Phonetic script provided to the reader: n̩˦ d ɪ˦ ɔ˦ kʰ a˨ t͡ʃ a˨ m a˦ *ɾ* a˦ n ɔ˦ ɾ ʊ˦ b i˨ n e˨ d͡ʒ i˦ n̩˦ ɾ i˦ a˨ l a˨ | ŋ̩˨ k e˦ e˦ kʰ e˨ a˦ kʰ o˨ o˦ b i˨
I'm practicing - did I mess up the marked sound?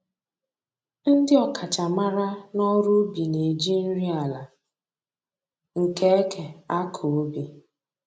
no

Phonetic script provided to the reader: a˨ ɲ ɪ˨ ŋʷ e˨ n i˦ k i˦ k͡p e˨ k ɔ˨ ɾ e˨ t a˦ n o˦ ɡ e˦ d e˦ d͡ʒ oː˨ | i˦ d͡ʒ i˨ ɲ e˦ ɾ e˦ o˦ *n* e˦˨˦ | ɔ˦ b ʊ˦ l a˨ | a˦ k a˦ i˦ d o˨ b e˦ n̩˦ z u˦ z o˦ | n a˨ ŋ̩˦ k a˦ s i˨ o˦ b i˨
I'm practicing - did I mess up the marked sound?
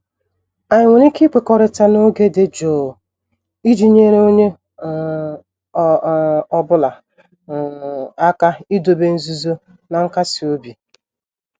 yes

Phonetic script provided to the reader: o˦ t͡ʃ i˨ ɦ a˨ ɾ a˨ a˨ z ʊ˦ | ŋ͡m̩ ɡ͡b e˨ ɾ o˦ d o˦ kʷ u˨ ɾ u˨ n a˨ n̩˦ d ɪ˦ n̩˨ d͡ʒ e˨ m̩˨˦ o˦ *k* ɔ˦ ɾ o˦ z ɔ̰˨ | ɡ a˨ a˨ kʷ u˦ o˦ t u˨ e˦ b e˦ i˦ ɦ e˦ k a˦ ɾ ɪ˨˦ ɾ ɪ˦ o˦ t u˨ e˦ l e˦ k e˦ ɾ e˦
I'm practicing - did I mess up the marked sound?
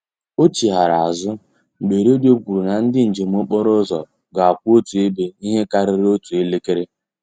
yes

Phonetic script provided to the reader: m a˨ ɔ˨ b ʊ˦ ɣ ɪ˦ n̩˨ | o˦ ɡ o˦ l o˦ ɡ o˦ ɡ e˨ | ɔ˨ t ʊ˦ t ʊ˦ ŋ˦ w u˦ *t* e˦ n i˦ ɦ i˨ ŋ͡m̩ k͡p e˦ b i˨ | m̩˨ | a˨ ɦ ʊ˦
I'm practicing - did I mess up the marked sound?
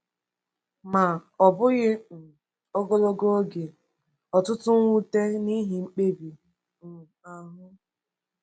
no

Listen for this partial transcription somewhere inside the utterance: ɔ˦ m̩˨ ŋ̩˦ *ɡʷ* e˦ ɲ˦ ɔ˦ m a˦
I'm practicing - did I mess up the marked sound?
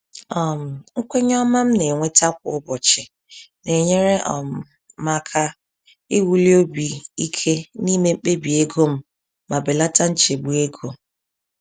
yes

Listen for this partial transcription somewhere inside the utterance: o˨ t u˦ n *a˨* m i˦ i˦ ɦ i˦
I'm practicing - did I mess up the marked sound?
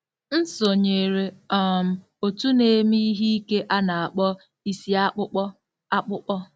yes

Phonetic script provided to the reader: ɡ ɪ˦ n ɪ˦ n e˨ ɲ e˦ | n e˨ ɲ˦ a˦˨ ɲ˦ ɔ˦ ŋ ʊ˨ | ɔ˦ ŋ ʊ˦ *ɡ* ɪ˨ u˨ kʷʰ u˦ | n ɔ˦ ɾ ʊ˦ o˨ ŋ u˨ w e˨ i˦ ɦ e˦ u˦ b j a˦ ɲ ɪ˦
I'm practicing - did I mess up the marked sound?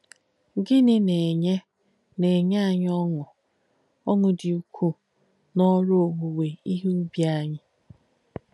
yes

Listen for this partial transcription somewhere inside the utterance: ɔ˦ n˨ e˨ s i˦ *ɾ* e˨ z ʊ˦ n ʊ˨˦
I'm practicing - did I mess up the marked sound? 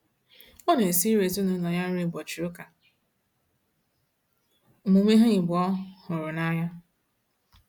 no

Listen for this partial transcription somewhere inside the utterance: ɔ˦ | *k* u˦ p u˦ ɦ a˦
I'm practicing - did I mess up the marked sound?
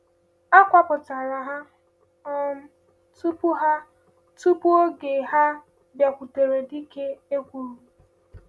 yes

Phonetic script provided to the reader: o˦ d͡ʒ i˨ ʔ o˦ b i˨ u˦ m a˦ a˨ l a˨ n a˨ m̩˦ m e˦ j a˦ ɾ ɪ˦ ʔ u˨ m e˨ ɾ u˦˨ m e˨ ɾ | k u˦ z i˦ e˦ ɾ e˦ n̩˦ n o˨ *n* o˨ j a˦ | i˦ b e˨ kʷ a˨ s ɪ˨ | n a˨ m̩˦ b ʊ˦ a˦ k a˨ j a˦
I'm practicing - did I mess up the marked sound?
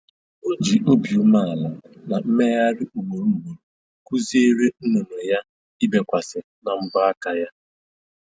no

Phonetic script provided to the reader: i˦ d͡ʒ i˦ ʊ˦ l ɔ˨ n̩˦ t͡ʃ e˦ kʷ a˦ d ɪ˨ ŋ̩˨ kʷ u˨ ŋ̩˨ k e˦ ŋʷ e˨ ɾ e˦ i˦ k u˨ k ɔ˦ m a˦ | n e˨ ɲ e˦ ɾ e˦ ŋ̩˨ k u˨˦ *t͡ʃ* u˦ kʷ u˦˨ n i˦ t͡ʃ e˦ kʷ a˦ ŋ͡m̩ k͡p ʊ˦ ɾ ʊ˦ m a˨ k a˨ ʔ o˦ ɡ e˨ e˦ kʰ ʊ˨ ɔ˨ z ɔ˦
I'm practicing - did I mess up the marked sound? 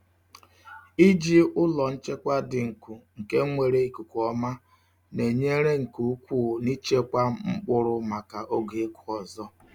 yes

